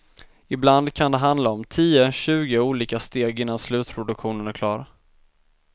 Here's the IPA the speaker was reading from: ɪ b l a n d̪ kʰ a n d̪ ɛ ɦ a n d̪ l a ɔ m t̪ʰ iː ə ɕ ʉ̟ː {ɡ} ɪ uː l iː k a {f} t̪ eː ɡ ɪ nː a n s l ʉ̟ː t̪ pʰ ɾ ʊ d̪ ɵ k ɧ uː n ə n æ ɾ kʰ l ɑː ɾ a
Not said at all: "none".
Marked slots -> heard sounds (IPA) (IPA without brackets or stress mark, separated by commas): ɡ, s